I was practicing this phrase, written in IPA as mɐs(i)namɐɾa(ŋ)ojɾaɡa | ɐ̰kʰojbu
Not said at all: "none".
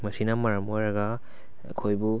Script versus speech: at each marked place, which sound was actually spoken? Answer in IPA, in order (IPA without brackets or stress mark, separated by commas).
i, m